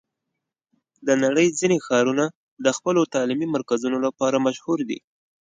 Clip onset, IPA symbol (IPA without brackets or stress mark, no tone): d̪